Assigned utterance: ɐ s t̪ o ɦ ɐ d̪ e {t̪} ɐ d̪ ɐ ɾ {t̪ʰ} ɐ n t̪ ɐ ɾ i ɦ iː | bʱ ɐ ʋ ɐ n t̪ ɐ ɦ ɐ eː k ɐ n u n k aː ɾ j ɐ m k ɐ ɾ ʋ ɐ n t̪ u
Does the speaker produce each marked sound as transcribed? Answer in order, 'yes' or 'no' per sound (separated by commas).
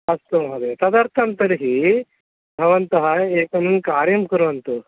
yes, yes